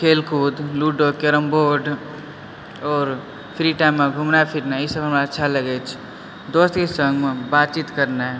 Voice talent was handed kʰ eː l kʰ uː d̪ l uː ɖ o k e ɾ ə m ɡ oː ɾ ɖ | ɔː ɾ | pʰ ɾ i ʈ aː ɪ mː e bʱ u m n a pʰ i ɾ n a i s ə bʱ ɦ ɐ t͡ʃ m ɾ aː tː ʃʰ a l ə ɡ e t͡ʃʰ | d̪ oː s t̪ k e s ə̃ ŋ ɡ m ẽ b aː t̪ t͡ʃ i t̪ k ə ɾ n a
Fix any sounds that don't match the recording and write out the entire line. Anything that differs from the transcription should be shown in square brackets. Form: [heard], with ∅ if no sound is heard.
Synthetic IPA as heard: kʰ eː l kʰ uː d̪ l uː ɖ o k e ɾ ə m [b] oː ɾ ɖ | ɔː ɾ | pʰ ɾ i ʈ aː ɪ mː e [ɡʱ] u m n a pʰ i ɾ n a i s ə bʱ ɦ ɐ [∅] m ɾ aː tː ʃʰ a l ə ɡ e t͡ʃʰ | d̪ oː s t̪ k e s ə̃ ŋ ɡ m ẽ b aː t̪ t͡ʃ i t̪ k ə ɾ n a